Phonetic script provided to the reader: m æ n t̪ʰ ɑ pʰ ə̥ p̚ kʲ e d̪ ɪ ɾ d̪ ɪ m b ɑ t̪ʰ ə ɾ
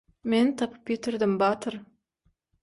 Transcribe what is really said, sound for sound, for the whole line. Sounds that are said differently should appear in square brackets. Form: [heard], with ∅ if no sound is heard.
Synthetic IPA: m [e] n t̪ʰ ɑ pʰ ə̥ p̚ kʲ e [t̪] ɪ ɾ d̪ ɪ m b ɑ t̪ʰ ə ɾ

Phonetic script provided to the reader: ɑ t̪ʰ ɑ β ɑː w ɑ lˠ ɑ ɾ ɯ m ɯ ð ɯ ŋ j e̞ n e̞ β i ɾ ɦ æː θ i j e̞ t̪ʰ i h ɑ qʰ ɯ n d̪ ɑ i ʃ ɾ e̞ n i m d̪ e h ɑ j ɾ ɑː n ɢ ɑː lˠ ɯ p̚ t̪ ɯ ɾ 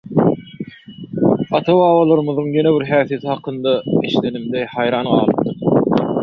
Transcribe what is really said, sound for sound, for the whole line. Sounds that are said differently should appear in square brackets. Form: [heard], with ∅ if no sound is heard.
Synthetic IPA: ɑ t̪ʰ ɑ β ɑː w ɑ lˠ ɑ ɾ ɯ m ɯ ð ɯ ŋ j e̞ n e̞ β i ɾ ɦ æː θ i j e̞ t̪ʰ i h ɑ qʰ ɯ n d̪ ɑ i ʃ [l] e̞ n i m d̪ e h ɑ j ɾ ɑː n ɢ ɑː lˠ ɯ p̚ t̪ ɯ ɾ

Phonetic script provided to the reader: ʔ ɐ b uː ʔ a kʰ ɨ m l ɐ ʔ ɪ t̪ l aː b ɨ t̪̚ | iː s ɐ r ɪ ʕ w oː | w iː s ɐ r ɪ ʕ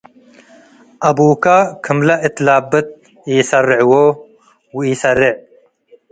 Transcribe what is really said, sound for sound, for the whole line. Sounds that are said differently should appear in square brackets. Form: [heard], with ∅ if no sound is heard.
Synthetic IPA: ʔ ɐ b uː [k] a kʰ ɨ m l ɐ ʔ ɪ t̪ l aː b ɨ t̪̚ | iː s ɐ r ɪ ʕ w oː | w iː s ɐ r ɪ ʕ

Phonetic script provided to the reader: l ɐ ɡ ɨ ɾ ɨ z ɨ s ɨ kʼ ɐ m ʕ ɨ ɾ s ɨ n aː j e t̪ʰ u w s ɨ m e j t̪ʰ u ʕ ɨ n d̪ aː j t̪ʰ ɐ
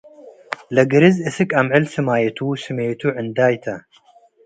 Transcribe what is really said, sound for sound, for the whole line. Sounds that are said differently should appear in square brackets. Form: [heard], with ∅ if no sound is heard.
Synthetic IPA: l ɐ ɡ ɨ ɾ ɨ z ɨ s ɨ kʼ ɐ m ʕ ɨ [l] s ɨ [m] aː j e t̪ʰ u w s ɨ m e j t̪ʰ u ʕ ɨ n d̪ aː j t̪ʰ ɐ

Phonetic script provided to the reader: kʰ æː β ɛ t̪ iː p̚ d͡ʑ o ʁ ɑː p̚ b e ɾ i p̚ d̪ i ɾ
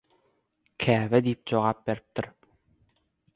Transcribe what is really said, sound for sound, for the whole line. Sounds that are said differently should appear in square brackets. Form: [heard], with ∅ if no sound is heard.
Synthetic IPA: kʰ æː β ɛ [d̪] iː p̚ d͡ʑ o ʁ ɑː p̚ b e ɾ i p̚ [t̪] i ɾ

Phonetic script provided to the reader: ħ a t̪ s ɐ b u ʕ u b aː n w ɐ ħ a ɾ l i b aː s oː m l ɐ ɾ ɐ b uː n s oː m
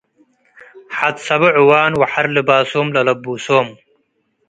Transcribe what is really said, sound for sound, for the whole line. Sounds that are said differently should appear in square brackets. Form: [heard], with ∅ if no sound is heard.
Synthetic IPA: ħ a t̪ s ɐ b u ʕ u [w] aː n w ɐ ħ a ɾ l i b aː s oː m l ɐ [l] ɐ b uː [∅] s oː m

